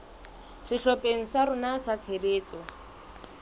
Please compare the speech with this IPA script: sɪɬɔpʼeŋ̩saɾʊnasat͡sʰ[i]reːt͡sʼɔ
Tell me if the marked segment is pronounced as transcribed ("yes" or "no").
no